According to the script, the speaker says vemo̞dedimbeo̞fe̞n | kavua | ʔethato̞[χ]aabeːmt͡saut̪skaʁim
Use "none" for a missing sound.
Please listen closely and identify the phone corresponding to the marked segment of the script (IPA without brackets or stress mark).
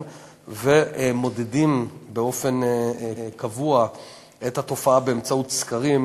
f